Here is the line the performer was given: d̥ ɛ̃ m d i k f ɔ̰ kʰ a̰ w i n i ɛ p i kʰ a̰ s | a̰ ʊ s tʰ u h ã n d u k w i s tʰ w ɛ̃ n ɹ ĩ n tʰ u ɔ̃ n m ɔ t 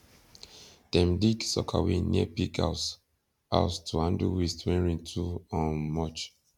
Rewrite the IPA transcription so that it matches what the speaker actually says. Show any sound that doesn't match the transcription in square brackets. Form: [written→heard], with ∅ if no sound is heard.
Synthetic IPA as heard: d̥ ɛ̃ m d i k [f→s] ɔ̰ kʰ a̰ w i n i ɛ p i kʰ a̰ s | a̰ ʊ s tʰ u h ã n d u [k→∅] w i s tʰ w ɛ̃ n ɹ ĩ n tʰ u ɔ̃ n m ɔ [t→t͡ʃ]